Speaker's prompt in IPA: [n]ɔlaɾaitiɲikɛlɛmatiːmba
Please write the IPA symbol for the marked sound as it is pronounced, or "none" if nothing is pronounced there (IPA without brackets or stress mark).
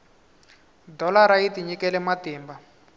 d